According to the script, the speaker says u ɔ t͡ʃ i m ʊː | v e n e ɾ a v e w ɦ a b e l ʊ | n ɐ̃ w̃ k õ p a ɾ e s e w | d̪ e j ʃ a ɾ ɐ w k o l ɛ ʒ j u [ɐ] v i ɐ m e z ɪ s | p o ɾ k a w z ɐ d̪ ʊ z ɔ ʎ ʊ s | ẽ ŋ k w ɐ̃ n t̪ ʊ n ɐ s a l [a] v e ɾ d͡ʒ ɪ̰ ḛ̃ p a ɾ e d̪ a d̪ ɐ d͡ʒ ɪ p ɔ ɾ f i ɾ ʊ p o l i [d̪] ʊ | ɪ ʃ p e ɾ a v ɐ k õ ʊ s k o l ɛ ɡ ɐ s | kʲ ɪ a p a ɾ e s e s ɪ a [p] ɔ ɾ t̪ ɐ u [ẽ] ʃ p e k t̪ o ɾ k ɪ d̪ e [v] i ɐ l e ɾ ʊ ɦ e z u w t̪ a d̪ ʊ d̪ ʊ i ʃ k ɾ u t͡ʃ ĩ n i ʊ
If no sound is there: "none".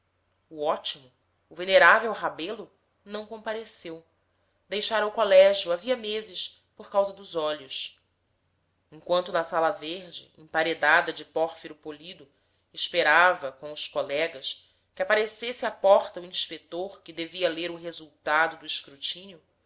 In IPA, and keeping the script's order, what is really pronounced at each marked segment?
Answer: a, ɐ, d̪, p, ĩ, v

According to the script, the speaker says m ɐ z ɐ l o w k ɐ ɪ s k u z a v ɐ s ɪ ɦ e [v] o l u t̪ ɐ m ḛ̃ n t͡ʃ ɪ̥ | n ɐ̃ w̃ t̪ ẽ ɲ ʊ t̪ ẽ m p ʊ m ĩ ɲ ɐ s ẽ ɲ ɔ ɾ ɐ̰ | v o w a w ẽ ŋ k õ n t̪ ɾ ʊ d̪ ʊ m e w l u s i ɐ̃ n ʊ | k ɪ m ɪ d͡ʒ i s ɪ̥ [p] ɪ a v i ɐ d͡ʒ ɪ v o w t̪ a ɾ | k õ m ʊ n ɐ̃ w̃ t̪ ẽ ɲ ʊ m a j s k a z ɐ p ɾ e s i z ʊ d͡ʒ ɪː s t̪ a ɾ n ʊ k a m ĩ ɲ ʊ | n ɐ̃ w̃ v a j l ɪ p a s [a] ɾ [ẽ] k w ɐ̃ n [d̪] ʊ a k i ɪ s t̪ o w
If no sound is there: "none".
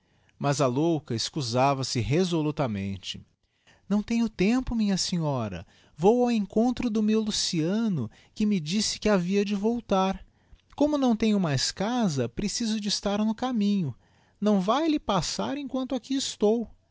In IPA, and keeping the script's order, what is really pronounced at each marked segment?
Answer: z, k, a, ẽ, t̪

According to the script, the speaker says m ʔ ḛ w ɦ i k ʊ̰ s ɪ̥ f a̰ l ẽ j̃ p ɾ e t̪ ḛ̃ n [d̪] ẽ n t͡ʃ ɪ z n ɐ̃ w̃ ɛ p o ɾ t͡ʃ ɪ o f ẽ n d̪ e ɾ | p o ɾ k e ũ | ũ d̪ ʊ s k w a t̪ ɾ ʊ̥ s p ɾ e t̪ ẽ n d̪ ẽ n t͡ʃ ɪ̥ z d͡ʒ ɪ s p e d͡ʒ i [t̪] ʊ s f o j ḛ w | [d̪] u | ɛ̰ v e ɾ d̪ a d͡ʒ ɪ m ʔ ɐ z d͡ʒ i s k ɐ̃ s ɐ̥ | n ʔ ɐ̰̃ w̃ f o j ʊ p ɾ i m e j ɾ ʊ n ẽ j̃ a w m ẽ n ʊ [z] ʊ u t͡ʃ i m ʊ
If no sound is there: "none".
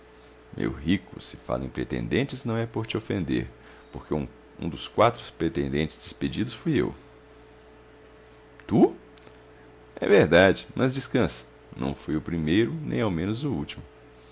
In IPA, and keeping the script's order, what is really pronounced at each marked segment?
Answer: d̪, d̪, t̪, z

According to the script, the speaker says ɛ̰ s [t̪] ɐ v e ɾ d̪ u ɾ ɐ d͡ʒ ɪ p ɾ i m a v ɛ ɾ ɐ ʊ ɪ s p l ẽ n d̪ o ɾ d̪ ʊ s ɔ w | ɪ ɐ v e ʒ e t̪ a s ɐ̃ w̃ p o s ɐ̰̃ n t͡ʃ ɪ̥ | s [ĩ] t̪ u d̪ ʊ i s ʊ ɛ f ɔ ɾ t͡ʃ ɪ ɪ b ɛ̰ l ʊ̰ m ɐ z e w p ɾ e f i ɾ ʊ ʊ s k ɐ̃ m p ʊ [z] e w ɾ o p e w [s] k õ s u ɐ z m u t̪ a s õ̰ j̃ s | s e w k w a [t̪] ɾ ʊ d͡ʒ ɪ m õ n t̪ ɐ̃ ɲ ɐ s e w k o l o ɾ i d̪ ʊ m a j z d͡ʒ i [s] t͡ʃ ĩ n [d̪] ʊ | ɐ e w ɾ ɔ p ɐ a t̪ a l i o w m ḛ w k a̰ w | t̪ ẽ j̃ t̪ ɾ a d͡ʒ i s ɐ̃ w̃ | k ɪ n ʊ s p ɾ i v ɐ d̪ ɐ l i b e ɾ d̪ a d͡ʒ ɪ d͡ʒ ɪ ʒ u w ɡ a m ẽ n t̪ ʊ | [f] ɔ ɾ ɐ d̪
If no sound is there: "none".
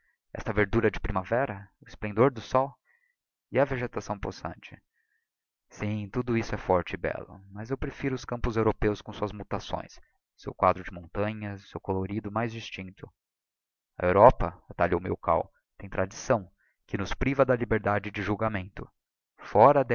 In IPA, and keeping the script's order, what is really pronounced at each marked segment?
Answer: t̪, ĩ, z, s, d̪, s, t̪, f

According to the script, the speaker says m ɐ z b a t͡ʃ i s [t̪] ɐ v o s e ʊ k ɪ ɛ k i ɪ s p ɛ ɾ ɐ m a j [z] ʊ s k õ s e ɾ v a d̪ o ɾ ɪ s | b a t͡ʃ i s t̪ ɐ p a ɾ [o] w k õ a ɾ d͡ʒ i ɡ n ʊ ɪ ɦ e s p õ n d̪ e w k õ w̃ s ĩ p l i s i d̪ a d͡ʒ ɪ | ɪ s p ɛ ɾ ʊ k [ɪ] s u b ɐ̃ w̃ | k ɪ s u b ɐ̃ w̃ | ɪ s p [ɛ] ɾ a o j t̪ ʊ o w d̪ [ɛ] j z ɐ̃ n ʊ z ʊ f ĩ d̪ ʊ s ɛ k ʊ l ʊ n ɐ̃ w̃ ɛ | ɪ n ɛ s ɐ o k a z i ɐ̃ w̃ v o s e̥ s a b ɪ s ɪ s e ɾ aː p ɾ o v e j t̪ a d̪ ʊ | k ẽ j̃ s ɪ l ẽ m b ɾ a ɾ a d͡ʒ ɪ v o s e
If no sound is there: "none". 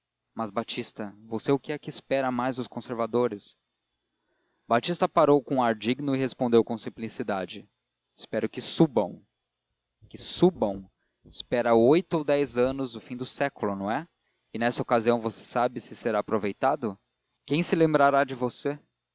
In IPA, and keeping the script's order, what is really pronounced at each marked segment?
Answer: t̪, z, o, ɪ, ɛ, ɛ

